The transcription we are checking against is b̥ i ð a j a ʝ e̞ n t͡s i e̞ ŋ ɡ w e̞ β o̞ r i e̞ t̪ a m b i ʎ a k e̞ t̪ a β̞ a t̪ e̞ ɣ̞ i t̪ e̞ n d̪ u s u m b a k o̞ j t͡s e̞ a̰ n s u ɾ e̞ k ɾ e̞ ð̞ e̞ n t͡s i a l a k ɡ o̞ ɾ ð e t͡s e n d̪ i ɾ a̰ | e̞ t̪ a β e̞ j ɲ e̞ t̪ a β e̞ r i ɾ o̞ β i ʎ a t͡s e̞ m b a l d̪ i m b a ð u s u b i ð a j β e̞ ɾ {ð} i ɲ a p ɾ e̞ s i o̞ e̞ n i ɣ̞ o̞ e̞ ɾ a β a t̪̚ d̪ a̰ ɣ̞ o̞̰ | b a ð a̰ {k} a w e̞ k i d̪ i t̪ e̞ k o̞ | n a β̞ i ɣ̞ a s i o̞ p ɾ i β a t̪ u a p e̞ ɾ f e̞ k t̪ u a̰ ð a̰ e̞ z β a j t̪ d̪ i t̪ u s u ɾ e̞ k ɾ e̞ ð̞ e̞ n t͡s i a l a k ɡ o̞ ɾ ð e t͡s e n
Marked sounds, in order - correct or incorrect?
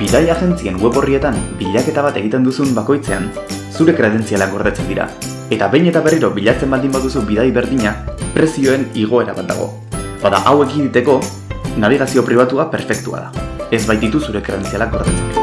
correct, incorrect: ʔ

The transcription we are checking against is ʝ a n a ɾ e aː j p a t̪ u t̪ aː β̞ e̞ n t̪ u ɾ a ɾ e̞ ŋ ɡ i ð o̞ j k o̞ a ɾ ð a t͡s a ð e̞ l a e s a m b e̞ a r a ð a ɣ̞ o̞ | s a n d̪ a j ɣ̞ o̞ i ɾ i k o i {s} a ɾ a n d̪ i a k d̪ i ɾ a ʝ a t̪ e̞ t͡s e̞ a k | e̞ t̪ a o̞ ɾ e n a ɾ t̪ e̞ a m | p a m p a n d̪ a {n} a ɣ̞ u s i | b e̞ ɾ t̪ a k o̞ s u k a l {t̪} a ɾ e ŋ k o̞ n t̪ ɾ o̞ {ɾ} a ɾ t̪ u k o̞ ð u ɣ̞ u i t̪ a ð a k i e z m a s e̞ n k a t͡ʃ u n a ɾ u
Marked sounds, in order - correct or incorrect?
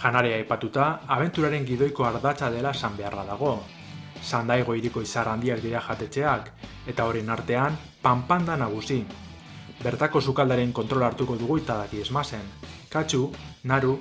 correct, correct, incorrect: d̪, incorrect: l

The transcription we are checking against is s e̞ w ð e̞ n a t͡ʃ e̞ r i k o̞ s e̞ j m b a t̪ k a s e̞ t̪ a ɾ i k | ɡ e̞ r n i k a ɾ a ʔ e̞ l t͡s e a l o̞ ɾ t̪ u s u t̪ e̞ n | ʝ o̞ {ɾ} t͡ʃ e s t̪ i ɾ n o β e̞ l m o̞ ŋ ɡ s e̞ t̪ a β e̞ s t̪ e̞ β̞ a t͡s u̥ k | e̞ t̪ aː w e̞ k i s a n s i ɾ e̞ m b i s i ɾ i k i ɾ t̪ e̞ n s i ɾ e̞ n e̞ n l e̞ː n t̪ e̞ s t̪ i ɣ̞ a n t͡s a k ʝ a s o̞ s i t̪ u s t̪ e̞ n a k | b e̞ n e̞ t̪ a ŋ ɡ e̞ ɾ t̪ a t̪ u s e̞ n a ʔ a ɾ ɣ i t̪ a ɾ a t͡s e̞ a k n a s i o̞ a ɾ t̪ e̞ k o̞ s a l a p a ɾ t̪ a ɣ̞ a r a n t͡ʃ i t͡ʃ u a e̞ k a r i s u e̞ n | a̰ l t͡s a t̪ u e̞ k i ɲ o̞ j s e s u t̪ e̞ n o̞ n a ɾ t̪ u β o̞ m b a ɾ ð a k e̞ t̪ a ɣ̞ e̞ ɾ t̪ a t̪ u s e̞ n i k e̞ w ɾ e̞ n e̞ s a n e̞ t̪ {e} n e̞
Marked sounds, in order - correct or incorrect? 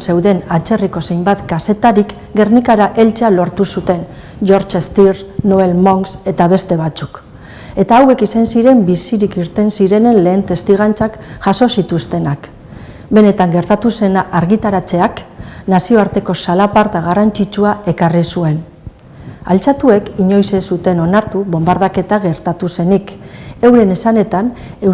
correct, incorrect: a

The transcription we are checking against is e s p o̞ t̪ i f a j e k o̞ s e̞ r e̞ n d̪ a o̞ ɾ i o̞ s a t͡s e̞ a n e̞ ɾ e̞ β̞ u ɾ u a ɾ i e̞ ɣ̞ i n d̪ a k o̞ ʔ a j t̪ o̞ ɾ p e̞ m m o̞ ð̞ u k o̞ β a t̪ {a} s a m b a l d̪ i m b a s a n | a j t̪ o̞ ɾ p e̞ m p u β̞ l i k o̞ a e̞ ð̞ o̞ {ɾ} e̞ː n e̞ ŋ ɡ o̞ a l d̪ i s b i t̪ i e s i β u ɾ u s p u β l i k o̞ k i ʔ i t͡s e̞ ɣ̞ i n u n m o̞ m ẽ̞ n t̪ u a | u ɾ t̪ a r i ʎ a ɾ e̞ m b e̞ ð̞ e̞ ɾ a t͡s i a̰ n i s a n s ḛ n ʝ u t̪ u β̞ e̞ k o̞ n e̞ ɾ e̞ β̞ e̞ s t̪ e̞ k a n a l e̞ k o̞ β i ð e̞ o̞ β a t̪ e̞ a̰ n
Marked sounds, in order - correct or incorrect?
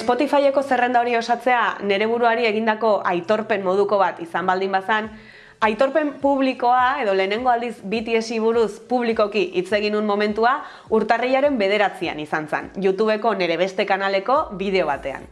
incorrect: i, incorrect: l

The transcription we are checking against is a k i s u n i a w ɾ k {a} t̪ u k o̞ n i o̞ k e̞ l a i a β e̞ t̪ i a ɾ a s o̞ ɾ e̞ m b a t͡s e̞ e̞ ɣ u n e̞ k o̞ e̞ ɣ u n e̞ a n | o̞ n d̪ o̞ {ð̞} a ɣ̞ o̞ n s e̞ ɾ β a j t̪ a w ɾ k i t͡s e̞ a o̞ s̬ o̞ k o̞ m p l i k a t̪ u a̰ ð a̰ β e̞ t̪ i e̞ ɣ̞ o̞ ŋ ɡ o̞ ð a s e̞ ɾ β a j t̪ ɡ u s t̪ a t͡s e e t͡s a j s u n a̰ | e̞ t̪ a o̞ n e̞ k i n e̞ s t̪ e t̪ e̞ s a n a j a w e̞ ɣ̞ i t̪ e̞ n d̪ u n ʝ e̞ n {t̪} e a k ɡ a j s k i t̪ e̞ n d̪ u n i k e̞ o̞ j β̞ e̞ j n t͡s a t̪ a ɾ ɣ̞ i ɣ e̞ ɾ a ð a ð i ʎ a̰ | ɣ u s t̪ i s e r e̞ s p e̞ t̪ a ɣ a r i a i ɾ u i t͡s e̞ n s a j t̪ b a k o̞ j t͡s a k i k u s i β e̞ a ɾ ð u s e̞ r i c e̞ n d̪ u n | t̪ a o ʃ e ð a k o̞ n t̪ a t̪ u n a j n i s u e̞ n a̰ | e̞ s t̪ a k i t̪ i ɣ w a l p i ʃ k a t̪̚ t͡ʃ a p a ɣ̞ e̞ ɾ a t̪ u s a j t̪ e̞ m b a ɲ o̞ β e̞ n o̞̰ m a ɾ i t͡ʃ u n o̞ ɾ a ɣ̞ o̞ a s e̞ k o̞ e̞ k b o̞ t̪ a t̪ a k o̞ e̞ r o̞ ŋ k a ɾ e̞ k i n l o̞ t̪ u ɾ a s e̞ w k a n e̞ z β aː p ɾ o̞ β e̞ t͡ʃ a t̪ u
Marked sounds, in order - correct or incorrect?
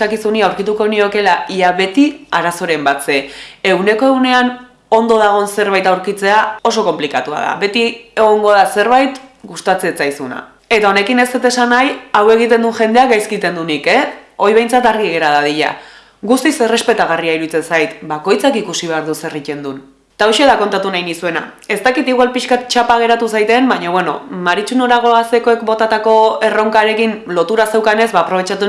incorrect: i, correct, incorrect: d̪

